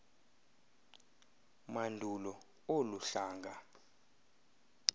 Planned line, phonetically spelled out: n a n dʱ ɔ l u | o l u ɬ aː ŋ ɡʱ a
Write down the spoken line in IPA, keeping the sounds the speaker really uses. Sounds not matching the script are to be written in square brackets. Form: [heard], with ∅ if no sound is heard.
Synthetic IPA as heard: [m] a n dʱ [u] l [ɔ] | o l u ɬ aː ŋ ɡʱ a